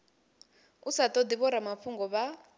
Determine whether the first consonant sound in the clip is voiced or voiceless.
voiceless